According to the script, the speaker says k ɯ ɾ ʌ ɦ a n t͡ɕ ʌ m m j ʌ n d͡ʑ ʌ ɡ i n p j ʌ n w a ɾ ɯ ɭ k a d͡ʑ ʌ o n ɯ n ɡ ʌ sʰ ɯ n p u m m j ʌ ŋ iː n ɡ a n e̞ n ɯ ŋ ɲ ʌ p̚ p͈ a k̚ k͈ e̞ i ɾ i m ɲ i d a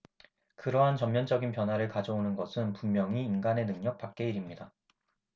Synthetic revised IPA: k ɯ ɾ ʌ ɦ a n t͡ɕ ʌ m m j ʌ n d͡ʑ ʌ ɡ i n p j ʌ n w a ɾ ɯ ɭ k a d͡ʑ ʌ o n ɯ n ɡ ʌ sʰ ɯ n p u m m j ʌ ŋ iː n ɡ a n e̞ n ɯ ŋ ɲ ʌ k̚ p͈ a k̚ k͈ e̞ i ɾ i m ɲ i d a